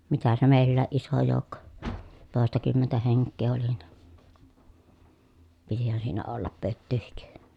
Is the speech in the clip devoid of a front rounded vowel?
no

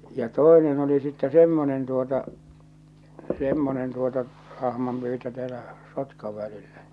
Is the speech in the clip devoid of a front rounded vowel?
no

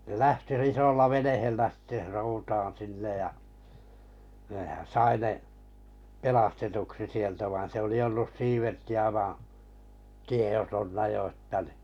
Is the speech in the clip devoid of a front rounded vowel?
yes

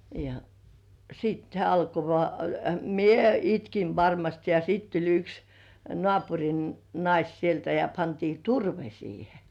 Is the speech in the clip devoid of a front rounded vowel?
no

